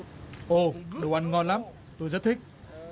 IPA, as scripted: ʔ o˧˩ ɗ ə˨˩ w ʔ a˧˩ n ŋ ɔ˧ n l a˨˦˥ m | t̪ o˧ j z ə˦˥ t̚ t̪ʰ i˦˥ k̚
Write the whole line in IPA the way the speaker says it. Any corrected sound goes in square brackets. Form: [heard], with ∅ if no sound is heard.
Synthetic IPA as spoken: ʔ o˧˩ ɗ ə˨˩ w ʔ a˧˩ n ŋ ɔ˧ n l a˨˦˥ m | t̪ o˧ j z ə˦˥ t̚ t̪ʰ i˦˥ k̚